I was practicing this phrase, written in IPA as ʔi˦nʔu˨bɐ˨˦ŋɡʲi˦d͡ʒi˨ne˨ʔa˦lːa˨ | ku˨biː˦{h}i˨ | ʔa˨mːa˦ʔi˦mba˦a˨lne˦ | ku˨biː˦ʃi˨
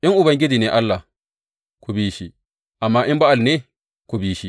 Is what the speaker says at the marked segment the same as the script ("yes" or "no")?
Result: no